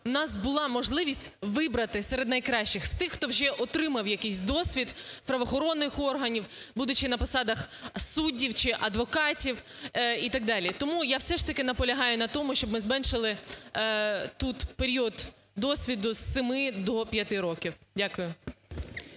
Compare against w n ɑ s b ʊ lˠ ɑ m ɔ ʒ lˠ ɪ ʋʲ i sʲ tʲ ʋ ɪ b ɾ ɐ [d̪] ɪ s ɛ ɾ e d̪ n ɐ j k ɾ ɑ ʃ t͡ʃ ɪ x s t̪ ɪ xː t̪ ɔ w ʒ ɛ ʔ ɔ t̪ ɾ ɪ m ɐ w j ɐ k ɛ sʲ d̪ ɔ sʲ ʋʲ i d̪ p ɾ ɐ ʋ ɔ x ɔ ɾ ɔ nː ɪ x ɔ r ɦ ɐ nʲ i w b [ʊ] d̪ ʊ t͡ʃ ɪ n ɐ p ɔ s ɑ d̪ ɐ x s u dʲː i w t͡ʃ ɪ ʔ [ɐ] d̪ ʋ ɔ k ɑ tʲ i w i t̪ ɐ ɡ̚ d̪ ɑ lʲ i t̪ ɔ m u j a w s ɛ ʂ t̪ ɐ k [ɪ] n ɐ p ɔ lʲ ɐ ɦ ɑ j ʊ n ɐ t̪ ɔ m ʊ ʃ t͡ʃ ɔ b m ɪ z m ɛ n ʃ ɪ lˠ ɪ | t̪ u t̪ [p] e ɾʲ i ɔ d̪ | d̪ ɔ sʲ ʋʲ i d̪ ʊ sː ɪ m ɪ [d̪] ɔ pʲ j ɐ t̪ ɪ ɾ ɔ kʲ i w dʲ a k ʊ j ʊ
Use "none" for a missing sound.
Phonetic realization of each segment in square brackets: t̪, u, ɐ, ɪ, p, d̪

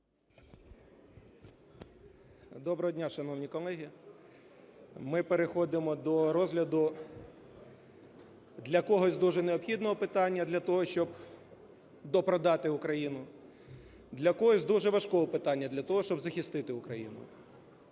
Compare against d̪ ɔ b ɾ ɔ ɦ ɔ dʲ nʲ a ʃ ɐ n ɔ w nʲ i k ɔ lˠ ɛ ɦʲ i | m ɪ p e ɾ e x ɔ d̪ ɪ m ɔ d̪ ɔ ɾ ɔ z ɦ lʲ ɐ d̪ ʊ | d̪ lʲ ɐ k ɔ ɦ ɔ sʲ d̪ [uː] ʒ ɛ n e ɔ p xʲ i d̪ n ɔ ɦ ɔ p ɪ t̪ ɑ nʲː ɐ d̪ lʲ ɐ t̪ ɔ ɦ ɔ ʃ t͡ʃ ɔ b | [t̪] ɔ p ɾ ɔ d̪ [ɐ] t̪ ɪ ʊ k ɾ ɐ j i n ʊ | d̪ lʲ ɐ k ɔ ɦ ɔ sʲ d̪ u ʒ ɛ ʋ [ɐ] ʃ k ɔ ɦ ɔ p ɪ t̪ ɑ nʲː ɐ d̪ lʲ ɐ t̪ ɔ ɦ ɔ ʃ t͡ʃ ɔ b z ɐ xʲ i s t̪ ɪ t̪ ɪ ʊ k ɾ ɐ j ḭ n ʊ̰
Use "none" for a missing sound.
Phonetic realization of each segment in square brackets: u, d̪, ɑ, ɐ

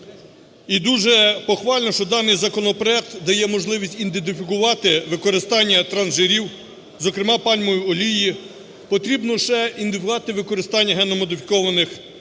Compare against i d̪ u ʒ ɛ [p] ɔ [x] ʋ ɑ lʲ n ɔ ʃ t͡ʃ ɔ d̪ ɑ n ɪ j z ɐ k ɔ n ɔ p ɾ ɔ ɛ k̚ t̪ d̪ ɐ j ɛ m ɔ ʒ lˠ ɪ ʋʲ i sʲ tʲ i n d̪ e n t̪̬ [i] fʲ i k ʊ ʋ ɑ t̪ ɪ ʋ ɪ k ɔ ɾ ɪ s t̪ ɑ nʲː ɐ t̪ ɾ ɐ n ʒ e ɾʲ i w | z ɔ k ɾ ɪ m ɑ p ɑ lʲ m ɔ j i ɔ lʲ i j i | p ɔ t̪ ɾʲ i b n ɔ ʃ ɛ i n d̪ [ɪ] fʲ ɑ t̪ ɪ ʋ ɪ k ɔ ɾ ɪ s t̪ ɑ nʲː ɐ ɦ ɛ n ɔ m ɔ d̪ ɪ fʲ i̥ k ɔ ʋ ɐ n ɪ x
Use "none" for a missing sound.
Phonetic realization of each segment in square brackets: p, x, ɪ, ɪ

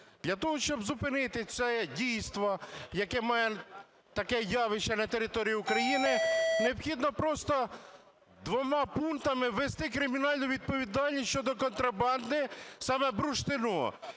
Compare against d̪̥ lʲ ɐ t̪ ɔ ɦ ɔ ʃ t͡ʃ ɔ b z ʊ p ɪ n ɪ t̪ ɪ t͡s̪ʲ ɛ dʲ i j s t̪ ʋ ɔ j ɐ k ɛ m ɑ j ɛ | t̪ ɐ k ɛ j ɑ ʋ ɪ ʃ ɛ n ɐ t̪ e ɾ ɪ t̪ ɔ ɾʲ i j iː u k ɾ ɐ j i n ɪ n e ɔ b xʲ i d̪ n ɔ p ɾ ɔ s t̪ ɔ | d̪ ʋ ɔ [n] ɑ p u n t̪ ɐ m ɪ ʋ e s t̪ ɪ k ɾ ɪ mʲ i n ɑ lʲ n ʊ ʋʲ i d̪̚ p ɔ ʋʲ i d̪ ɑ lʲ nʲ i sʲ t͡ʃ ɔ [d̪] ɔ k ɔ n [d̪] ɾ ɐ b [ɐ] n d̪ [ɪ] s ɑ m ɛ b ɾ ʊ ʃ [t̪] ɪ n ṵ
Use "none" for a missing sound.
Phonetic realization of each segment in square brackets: m, d̪, t̪, ɑ, ɪ, t̪

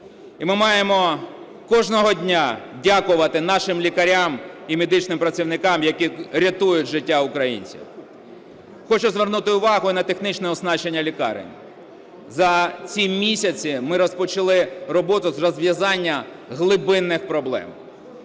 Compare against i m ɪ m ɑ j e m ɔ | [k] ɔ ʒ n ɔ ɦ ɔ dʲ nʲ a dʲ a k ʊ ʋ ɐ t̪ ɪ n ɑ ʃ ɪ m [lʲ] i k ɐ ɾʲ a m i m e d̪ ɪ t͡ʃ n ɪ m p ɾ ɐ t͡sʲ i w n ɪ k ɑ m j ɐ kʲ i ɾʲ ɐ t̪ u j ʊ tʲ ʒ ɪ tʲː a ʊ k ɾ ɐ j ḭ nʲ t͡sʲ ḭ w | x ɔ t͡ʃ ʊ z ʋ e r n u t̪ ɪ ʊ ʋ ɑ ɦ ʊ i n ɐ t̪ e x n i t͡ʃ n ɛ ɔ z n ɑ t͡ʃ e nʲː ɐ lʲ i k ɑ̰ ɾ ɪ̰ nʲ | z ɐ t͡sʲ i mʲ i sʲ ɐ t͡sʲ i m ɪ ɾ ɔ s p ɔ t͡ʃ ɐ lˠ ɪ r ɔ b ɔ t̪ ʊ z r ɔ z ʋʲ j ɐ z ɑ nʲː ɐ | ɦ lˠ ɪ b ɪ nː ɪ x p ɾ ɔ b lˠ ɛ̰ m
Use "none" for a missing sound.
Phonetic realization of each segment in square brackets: k, lʲ

